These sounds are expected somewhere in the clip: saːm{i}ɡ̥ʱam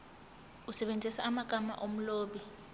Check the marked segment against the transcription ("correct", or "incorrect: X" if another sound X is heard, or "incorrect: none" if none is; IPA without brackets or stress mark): incorrect: a